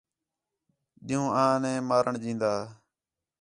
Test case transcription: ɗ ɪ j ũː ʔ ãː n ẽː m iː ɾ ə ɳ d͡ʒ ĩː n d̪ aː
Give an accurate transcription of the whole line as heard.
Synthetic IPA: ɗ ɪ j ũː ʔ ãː n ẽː m aː ɾ ə ɳ d͡ʒ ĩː n d̪ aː